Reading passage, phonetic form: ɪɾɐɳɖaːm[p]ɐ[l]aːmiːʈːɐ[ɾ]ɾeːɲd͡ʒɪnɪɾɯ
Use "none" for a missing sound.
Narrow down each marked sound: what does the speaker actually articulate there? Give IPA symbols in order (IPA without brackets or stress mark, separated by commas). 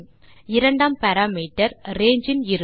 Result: p, ɾ, ɾ